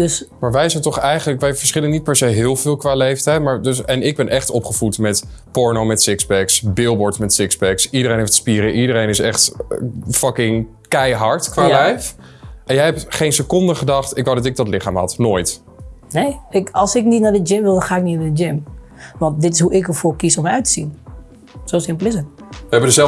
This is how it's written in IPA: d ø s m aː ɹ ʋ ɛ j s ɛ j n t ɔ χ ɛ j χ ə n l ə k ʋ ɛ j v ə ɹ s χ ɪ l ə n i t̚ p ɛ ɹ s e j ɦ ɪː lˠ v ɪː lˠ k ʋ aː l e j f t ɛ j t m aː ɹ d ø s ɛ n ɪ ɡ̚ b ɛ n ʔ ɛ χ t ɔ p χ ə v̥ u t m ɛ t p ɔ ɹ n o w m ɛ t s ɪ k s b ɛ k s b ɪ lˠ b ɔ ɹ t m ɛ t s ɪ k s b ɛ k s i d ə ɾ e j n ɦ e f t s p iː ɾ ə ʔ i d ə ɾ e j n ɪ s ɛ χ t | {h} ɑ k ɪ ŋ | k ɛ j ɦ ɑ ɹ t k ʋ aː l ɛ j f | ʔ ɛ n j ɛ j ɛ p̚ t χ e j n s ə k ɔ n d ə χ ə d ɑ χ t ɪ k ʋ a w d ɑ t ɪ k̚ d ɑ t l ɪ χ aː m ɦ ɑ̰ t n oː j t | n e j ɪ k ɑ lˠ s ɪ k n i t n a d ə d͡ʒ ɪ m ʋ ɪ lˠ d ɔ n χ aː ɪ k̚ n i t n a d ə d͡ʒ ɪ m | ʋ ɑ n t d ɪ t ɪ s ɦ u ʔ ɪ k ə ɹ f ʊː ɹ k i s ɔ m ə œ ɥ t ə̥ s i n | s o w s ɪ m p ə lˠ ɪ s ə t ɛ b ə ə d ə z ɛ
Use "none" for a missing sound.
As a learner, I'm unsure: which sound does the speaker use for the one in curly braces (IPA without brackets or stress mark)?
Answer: f